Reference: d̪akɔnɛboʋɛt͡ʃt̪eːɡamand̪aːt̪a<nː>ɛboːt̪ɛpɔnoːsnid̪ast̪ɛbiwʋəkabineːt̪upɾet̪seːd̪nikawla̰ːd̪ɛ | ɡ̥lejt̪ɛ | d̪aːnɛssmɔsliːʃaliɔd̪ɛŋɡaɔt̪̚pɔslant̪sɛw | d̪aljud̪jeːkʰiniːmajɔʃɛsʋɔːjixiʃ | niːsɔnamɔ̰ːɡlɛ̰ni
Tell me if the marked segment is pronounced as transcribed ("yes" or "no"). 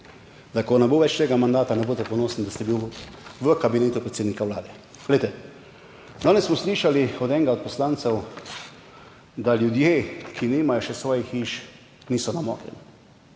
no